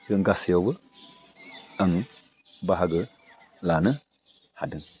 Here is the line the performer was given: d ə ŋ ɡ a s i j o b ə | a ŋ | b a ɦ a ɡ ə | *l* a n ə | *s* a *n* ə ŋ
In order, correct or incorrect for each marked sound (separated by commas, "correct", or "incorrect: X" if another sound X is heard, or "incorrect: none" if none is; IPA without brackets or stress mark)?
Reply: correct, incorrect: h, incorrect: d